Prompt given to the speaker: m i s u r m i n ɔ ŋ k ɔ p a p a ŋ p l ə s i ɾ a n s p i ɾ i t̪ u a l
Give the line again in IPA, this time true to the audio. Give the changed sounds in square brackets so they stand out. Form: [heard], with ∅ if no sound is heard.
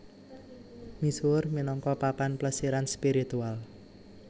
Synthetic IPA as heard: m i s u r m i n ɔ ŋ k ɔ p a p a [n] p l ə s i ɾ a n s p i ɾ i t̪ u a l

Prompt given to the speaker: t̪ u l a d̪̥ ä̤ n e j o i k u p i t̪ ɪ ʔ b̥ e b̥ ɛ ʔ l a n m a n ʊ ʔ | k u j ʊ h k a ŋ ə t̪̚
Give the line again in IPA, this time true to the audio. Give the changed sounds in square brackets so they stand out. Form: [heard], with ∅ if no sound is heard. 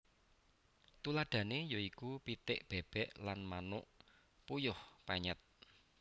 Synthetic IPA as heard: t̪ u l a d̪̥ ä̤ n e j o i k u p i t̪ ɪ ʔ b̥ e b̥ ɛ ʔ l a n m a n ʊ ʔ | [p] u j ʊ h [p] a [ɲ] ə t̪̚

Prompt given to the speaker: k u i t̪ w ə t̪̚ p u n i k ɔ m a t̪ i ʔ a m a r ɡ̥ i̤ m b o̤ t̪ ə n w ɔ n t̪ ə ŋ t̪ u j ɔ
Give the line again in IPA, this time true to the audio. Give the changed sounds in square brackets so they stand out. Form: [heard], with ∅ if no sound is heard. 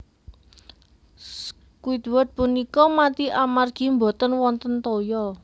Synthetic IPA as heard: k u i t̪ w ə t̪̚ p u n i k ɔ m a t̪ i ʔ a m a r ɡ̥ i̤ m b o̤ t̪ ə n w ɔ n t̪ ə [n] t̪ [o] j ɔ

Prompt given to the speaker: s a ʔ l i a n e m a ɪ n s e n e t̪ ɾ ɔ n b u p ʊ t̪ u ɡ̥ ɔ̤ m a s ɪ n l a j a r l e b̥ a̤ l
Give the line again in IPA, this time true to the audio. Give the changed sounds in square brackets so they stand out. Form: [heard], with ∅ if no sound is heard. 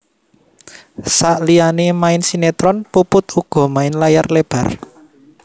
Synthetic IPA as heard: s a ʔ l i a n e m a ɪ n s [i] n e t̪ ɾ ɔ n [p] u p ʊ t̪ u ɡ̥ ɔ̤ m a [∅] ɪ n l a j a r l e b̥ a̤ [r]

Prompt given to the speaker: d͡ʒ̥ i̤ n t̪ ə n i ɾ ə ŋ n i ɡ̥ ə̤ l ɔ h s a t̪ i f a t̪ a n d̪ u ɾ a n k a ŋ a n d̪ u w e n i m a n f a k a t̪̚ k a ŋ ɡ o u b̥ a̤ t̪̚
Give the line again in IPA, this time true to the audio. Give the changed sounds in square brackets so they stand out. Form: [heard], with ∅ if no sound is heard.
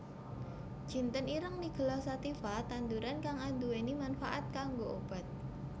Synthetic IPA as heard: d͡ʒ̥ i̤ n t̪ ə n i ɾ ə ŋ n i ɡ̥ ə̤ l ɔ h s a t̪ i f a t̪ a n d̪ u ɾ a n k a ŋ a n d̪ u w e n i m a n f a [ʔ] a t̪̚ k a ŋ ɡ o [o] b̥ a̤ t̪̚

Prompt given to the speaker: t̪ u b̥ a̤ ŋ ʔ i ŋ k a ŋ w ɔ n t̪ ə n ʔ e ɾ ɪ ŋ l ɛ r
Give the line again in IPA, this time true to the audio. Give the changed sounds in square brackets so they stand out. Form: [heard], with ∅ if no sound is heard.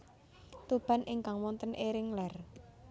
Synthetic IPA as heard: t̪ u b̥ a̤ [n] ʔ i ŋ k a ŋ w ɔ n t̪ ə n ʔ e ɾ ɪ ŋ l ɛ r

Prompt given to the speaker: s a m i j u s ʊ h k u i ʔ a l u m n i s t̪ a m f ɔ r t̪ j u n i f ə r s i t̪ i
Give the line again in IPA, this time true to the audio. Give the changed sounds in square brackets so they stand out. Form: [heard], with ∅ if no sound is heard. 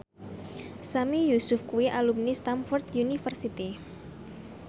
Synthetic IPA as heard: s a m i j u s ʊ [f] k u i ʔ a l u m n i s t̪ a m f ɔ r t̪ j u n i f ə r s i t̪ i

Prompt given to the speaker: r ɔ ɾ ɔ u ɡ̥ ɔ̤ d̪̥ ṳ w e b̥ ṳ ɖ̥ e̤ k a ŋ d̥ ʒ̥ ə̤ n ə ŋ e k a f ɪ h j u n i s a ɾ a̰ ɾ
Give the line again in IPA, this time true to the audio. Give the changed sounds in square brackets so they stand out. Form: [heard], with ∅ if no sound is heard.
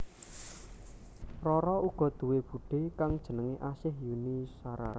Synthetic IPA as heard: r ɔ ɾ ɔ u ɡ̥ ɔ̤ d̪̥ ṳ w e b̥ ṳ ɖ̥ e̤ k a ŋ d̥ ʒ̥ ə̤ n ə ŋ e [ʔ] a [s] ɪ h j u n i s a ɾ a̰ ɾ

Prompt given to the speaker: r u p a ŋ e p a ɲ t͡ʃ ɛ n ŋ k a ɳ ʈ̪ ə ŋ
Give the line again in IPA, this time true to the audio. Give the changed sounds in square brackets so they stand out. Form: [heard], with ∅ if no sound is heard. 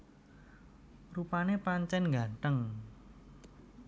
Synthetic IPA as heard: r u p a [n] e p a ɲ t͡ʃ ɛ n ŋ [ɡ] a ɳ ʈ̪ ə ŋ

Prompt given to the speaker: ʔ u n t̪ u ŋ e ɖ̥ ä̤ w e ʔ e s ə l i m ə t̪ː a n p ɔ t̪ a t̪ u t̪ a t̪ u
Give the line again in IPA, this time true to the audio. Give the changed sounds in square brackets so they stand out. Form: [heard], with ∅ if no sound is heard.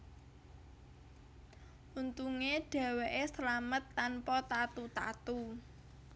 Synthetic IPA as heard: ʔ u n t̪ u ŋ e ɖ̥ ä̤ w e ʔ e s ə l [a] m ə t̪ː a n p ɔ t̪ a t̪ u t̪ a t̪ u

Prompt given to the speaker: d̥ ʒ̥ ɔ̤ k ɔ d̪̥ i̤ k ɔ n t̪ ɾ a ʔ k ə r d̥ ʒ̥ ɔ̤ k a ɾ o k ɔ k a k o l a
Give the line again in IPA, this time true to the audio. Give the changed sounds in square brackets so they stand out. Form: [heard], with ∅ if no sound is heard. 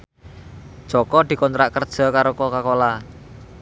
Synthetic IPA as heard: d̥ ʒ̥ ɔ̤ k ɔ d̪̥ i̤ k ɔ n t̪ ɾ a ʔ k ə r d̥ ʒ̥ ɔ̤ k a ɾ o k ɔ k a k o l a

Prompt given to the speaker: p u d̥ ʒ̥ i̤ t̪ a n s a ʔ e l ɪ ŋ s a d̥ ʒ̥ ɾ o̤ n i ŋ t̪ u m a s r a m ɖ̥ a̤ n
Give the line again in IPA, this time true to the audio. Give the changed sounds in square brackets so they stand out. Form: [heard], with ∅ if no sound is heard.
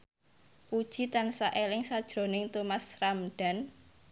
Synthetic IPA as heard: p u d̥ ʒ̥ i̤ t̪ a n s a ʔ e l ɪ ŋ s a d̥ ʒ̥ ɾ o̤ n [ɪ] ŋ t̪ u m a s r a m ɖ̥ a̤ n

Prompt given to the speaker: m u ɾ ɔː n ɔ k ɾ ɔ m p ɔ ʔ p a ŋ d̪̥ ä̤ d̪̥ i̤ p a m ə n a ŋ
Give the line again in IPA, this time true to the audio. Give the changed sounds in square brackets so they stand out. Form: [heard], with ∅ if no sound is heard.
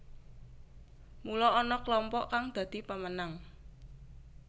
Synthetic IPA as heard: m u [l] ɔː n ɔ k [l] ɔ m p ɔ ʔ [k] a ŋ d̪̥ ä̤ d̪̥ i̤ p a m ə n a ŋ

